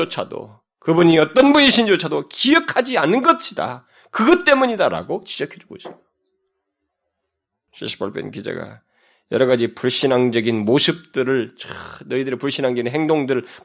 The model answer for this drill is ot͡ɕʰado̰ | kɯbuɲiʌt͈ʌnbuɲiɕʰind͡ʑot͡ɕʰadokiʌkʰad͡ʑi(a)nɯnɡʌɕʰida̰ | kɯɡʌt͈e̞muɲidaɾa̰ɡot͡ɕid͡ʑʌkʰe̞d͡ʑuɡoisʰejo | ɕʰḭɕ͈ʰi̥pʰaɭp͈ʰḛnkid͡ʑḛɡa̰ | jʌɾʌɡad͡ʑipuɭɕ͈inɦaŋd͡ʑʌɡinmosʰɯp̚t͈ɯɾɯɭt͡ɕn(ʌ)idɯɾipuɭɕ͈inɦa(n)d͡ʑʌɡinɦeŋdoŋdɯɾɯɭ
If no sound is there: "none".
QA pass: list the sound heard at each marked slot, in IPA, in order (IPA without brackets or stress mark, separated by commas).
a, ʌ, ŋ